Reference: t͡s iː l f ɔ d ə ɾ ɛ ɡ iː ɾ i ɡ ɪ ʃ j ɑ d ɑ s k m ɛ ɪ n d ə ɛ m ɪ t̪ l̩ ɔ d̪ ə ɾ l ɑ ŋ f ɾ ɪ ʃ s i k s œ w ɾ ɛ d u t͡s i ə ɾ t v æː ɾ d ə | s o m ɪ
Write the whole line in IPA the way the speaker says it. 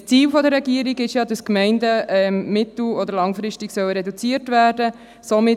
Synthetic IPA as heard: t͡s iː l f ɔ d ə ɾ ɛ ɡ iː ɾ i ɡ ɪ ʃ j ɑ d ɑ s k m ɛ ɪ n d ə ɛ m ɪ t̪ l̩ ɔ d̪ ə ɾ l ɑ ŋ f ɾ ɪ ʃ t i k s œ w ɾ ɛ d u t͡s i ə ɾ t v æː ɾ d ə | s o m ɪ